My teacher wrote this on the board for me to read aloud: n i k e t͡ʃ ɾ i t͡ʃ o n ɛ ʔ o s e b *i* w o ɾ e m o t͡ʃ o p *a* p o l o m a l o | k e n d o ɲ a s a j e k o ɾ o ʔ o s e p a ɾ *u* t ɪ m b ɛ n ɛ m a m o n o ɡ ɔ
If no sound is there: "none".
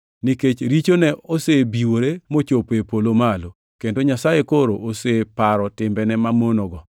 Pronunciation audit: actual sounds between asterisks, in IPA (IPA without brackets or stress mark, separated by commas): i, e, ɔ